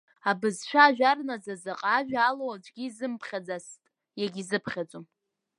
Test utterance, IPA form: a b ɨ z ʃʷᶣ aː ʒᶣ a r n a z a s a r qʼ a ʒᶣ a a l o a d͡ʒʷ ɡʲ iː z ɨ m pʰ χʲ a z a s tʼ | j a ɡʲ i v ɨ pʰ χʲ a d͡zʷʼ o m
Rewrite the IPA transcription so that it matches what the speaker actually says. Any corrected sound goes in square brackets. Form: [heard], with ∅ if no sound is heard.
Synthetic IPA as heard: a b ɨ z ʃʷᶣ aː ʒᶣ a r n a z a [z] a [∅] qʼ a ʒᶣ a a l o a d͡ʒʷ ɡʲ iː z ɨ m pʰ χʲ a [d͡z] a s tʼ | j a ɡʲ i [z] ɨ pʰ χʲ a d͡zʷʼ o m

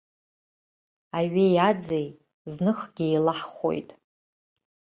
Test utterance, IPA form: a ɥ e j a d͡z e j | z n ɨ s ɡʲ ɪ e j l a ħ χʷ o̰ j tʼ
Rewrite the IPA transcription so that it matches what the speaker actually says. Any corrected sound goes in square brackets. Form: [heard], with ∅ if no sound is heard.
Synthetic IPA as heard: a ɥ e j a d͡z e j | z n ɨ [χ] ɡʲ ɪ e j l a ħ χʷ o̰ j tʼ

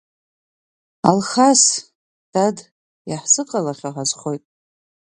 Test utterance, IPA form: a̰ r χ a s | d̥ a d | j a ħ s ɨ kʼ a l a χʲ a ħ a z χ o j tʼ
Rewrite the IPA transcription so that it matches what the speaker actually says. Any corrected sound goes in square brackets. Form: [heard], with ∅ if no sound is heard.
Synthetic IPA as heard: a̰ [l] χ a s | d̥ a d | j a ħ s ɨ [qʼ] a l a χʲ a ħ a z χ o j tʼ

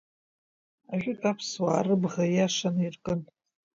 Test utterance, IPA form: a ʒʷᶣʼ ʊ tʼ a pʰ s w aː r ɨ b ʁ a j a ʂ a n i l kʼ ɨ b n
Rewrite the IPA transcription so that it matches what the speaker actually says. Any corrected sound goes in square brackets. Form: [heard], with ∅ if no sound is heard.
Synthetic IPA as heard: a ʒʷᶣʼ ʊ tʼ a pʰ s w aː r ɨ b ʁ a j a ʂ a n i [r] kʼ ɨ [∅] n

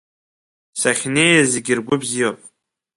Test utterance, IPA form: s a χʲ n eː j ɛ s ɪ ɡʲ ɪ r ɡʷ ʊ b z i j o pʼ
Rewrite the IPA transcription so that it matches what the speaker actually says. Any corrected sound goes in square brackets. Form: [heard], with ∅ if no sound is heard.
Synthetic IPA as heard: s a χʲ n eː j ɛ [z] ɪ ɡʲ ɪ r ɡʷ ʊ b z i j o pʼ

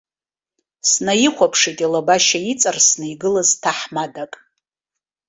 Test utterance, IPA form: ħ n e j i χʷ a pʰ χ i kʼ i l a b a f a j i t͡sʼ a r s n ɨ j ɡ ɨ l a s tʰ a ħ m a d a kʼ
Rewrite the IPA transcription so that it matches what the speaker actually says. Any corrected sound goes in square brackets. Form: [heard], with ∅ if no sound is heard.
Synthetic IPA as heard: [s] n [a] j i χʷ a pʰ [ʂ] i [tʼ] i l a b a [ʃ] a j i t͡sʼ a r s n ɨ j ɡ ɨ l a [z] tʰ a ħ m a d a kʼ

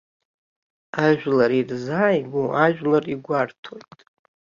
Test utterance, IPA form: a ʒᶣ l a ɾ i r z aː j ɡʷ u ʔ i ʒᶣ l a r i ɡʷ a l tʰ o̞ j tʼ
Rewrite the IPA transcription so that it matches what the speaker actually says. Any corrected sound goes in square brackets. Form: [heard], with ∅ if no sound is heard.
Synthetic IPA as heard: a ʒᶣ l a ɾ i r z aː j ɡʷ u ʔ [a] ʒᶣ l a r i ɡʷ a [r] tʰ o̞ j tʼ

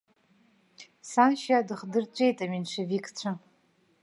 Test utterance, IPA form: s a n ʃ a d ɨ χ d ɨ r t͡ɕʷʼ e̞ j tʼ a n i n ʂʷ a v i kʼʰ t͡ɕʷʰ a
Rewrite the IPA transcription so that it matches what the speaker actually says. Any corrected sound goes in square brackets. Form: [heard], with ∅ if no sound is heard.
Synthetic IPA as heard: s a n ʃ a d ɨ χ d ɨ r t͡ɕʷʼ e̞ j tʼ a [m] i n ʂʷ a v i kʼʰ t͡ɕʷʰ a

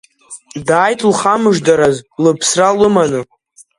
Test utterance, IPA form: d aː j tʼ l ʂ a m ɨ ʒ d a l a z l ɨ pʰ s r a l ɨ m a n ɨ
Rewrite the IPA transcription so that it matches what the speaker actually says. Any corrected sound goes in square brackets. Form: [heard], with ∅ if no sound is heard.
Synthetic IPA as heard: d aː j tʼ l [χ] a m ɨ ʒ d a [ɾ] a z l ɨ pʰ s r a l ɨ m a n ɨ

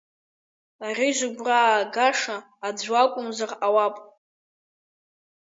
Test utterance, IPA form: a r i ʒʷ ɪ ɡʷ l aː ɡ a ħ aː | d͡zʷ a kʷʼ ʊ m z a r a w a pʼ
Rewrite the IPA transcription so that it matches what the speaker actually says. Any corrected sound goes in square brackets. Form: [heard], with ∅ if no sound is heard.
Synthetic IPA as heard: a r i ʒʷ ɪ ɡʷ [r] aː ɡ a [ʂ] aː | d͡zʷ a kʷʼ ʊ m z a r a w a pʼ

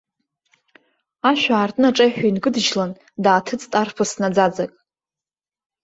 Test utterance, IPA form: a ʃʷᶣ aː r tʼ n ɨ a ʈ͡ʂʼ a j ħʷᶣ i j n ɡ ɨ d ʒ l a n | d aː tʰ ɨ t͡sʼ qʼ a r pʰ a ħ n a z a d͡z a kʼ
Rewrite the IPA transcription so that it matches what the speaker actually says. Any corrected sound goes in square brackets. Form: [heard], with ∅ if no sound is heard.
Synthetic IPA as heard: a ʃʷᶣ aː r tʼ n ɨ a ʈ͡ʂʼ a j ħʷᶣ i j n ɡ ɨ d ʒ l a n | d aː tʰ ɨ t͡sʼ [tʼ] a r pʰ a [s] n a [d͡z] a d͡z a kʼ

